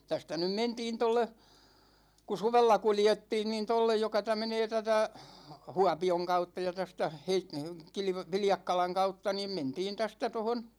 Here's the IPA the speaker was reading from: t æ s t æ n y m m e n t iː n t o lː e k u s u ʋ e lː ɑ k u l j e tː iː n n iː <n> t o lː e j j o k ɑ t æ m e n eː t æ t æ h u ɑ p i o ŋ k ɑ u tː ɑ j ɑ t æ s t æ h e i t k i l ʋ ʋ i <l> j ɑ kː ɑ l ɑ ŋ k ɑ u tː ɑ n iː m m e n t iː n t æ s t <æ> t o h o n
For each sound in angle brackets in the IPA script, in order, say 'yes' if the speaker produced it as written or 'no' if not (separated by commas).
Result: yes, yes, yes